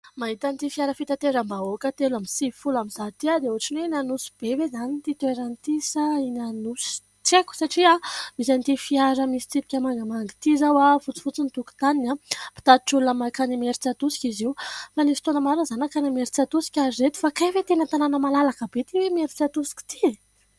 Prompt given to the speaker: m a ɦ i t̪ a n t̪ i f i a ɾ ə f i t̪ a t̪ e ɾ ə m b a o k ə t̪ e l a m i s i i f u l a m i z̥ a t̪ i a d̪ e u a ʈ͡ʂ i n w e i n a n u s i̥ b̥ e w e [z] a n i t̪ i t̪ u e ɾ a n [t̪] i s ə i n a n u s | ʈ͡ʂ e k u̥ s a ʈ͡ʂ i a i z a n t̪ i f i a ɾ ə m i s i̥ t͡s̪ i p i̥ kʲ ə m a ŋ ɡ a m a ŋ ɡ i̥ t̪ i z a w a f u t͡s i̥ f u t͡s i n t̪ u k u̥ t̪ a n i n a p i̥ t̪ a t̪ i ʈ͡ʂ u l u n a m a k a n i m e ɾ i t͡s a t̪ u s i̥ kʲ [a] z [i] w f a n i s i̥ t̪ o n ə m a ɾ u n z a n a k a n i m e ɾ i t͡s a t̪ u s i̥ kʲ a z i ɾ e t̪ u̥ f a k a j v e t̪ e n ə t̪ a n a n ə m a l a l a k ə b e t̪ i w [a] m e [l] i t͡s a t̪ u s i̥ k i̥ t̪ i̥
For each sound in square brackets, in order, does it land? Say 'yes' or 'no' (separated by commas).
yes, yes, no, yes, no, no